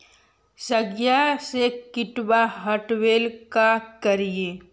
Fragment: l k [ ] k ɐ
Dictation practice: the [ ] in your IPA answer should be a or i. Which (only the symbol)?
a